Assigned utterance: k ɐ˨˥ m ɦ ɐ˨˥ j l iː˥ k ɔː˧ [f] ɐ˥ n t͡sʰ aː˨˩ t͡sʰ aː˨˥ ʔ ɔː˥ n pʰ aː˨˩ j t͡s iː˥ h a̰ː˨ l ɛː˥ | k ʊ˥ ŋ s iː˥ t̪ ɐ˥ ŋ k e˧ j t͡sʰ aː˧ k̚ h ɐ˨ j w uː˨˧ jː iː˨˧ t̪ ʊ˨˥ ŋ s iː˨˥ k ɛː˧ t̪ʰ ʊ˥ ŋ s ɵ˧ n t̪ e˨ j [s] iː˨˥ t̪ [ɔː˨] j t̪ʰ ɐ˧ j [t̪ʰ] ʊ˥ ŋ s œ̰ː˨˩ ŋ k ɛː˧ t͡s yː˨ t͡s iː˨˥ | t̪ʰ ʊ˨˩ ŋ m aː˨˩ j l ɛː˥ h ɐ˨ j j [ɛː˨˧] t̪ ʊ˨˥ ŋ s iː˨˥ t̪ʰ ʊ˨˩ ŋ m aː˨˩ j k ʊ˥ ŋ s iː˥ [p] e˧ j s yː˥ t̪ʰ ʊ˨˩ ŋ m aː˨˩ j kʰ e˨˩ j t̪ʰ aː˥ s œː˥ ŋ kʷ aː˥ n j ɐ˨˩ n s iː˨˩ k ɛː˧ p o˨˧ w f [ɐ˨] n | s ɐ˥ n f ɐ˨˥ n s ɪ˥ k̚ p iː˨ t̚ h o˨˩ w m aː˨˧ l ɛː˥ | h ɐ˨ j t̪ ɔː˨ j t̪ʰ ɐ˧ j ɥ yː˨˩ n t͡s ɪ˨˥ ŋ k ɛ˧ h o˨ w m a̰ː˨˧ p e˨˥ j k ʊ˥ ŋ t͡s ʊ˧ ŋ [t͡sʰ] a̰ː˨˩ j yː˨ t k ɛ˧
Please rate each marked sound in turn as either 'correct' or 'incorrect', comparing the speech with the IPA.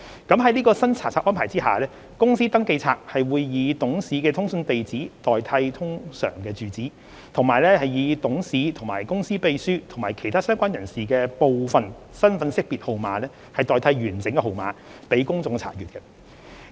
incorrect: s, incorrect: t͡s, correct, correct, incorrect: iː˨˧, correct, correct, correct

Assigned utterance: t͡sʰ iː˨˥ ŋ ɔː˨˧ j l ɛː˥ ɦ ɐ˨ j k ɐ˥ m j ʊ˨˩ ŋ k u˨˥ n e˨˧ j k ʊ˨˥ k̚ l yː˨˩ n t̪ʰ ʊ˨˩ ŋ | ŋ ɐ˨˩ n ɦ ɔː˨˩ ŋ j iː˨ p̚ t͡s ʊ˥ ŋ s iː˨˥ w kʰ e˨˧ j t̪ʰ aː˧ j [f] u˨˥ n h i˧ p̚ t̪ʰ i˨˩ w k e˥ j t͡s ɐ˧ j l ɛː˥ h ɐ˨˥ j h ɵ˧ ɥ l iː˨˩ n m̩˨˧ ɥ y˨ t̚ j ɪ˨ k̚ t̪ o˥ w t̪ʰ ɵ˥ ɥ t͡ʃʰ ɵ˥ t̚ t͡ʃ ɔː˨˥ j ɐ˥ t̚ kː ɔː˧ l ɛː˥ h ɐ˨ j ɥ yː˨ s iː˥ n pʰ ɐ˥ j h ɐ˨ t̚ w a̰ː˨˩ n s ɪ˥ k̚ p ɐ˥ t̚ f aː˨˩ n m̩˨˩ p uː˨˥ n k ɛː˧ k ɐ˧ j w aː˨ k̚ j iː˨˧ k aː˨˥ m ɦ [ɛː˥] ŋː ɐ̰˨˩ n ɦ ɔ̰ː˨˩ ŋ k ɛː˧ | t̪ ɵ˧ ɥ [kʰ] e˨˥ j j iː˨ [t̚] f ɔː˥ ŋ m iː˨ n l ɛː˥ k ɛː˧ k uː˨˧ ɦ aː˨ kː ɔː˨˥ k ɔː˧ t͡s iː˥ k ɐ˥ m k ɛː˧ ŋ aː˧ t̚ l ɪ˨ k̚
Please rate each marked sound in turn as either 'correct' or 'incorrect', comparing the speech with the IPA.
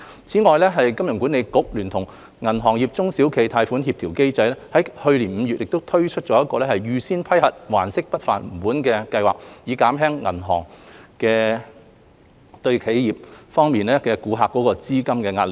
correct, correct, correct, incorrect: p̚

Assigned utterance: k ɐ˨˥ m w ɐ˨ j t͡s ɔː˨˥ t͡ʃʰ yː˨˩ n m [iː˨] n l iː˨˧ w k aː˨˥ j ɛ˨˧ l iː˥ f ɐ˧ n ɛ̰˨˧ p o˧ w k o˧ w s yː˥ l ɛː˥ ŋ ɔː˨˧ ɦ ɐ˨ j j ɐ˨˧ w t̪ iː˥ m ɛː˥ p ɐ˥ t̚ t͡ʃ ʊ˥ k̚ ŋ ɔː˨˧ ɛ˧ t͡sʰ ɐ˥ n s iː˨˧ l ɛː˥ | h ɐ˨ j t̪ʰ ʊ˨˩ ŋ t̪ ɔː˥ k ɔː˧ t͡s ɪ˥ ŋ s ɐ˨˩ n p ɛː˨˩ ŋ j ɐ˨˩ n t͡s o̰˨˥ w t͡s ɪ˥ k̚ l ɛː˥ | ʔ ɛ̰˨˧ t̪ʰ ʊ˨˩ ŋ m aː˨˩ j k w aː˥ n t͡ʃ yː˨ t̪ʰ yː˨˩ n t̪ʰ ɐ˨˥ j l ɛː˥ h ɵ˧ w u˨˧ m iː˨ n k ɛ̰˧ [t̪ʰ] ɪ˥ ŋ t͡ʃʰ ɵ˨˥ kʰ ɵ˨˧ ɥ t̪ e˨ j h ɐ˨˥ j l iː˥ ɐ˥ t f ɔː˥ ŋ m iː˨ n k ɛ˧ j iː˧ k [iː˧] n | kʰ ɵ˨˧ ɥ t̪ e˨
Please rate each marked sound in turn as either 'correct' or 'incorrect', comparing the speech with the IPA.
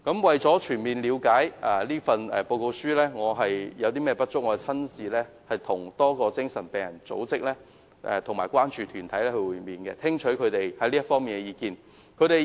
correct, correct, correct

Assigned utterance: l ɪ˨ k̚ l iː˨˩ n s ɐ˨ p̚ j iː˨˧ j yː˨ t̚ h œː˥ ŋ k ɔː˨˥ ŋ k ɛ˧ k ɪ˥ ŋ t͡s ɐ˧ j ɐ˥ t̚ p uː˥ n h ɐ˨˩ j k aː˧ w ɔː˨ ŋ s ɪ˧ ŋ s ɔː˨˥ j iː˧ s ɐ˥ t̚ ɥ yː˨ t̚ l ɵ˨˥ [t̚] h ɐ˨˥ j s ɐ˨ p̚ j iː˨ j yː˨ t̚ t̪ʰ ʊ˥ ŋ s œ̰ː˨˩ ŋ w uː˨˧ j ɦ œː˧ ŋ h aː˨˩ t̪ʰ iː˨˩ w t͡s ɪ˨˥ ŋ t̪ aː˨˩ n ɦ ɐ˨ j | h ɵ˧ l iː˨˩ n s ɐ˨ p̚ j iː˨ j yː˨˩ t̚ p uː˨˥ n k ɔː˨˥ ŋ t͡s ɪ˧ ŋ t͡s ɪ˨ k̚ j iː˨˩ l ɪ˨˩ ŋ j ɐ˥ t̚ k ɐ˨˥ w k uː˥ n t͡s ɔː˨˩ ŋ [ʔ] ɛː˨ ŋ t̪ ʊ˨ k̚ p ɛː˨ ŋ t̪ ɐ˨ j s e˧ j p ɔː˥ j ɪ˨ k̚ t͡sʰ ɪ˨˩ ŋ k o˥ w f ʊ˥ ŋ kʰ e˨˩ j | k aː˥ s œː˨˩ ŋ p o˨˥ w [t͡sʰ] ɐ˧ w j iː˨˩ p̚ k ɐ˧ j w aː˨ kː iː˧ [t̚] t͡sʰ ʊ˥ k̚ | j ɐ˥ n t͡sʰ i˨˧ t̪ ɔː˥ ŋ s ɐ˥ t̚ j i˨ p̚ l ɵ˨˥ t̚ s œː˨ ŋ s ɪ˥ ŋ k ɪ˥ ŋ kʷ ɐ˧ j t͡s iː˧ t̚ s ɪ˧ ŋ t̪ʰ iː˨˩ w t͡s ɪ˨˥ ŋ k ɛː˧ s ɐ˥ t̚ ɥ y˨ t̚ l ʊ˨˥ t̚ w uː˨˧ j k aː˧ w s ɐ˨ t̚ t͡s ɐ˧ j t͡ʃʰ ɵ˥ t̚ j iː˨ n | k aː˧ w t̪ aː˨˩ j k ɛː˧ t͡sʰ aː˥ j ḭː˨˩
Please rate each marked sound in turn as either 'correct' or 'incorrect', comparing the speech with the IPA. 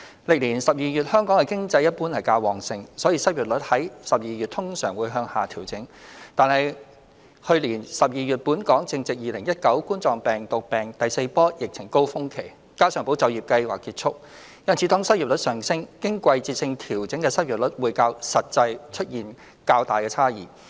correct, incorrect: p, incorrect: t͡s, correct

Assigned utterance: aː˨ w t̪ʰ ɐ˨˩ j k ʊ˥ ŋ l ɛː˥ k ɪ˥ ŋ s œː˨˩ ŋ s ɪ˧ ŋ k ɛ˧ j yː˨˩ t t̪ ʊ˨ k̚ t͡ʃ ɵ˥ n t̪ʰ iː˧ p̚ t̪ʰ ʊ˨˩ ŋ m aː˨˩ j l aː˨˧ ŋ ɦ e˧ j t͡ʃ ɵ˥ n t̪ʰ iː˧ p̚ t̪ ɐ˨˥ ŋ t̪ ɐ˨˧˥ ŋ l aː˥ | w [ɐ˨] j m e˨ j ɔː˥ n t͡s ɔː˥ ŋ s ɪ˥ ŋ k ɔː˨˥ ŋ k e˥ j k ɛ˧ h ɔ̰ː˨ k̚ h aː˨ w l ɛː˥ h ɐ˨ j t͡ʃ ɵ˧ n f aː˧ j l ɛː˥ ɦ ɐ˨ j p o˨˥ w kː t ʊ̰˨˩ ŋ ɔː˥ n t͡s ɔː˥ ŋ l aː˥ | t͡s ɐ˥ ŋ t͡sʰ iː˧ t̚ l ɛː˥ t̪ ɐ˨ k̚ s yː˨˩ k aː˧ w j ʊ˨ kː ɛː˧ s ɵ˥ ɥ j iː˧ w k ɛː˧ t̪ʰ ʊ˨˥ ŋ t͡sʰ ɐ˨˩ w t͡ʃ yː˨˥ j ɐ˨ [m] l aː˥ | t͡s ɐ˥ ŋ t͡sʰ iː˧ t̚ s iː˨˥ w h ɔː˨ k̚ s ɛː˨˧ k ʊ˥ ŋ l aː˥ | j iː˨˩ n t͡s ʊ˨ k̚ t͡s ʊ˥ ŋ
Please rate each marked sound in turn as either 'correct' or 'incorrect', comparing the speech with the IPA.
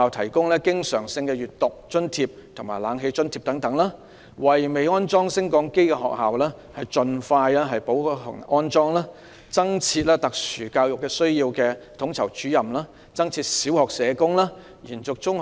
correct, correct

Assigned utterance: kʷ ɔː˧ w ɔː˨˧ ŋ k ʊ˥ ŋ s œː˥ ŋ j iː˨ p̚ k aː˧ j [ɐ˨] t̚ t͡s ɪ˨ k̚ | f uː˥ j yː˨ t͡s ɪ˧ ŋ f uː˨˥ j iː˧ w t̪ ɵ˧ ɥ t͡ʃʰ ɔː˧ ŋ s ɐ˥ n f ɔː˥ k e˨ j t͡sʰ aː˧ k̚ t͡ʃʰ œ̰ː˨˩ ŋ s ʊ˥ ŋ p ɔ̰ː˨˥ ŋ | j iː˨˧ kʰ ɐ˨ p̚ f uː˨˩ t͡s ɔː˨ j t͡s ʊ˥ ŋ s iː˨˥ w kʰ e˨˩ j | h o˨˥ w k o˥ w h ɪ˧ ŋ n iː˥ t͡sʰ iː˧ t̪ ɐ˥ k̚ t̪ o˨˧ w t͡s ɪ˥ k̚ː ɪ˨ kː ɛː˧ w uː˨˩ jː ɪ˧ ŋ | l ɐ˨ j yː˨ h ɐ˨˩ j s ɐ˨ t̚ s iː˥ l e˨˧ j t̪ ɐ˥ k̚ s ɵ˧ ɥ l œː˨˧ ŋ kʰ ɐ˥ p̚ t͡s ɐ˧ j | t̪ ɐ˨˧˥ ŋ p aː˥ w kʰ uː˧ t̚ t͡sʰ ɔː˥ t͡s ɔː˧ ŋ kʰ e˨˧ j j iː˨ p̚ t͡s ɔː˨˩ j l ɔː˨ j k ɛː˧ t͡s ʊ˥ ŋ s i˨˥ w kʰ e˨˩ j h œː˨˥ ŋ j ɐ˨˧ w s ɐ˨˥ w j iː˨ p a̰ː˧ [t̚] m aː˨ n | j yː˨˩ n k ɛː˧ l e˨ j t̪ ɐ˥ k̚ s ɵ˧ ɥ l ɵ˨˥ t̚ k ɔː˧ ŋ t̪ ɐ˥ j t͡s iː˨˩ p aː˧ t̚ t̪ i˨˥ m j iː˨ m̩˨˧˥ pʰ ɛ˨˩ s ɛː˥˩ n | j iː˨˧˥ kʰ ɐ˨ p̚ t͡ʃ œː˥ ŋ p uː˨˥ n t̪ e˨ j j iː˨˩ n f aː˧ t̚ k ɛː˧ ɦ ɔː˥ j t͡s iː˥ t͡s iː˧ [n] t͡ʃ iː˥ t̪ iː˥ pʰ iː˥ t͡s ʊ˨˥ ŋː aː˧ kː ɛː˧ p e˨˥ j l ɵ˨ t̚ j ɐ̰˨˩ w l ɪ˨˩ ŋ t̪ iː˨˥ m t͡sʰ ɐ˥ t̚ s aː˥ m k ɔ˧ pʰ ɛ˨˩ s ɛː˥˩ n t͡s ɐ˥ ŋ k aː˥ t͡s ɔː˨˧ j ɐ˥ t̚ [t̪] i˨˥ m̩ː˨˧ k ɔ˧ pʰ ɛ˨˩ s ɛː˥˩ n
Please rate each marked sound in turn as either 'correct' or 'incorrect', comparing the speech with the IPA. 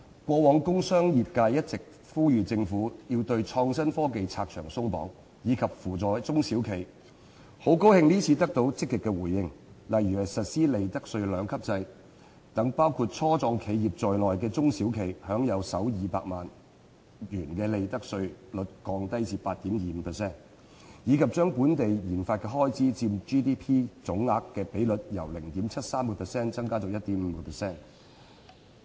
incorrect: ɐ˥, incorrect: k̚, incorrect: m, correct

